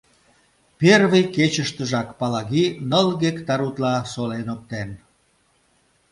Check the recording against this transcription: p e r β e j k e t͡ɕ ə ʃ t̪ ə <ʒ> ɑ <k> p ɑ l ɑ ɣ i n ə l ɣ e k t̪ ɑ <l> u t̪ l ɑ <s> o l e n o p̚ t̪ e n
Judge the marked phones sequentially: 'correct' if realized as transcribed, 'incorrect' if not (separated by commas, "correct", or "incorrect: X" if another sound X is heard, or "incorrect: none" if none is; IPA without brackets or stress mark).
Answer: correct, correct, incorrect: ɾ, correct